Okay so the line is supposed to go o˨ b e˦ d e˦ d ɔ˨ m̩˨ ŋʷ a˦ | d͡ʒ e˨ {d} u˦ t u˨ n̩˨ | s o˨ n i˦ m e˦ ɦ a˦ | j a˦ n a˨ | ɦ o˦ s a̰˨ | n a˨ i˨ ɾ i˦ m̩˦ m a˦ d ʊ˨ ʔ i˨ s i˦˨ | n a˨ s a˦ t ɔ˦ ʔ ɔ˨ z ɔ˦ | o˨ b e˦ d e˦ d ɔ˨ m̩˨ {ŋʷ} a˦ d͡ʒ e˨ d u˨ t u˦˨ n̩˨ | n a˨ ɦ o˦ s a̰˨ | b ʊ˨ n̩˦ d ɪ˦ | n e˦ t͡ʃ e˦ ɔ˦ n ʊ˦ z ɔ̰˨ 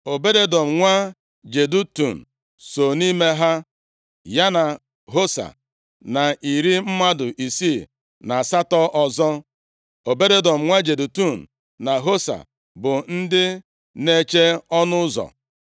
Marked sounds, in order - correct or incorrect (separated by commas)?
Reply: correct, correct